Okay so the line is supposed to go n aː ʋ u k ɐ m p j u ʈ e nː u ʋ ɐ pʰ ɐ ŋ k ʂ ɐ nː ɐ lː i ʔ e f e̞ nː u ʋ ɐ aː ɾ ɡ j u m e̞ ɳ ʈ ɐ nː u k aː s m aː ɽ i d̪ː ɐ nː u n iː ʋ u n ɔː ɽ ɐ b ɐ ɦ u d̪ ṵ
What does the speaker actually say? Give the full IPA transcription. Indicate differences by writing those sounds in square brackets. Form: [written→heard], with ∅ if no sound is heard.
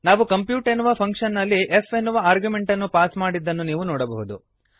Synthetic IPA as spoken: n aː ʋ u k ɐ m p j [u→uː] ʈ e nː u ʋ ɐ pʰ ɐ ŋ k ʂ ɐ nː ɐ lː i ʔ e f e̞ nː u ʋ ɐ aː ɾ ɡ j u m e̞ ɳ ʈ ɐ nː u [k→p] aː s m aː ɽ i d̪ː ɐ nː u n iː ʋ u n ɔː ɽ ɐ b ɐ ɦ u d̪ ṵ